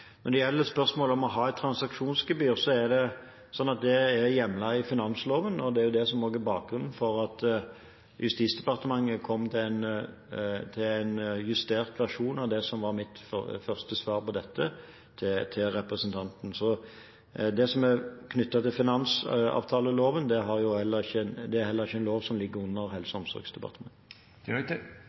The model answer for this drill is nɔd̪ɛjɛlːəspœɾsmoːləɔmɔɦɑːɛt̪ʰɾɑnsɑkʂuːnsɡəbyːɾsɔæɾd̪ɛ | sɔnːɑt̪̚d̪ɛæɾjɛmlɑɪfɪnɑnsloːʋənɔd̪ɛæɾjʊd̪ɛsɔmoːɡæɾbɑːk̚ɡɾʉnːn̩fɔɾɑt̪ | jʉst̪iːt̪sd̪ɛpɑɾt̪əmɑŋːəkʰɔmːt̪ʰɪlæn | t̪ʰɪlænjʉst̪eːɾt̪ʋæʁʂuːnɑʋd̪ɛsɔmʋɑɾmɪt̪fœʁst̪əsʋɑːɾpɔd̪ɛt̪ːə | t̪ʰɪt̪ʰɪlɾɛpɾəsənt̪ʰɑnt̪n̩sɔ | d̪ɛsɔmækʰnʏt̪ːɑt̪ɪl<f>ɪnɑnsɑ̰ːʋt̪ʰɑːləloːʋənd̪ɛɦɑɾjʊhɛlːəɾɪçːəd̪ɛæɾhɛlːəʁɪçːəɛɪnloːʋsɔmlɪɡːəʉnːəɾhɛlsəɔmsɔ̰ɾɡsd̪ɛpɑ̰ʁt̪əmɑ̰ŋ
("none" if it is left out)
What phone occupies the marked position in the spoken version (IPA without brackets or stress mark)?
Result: f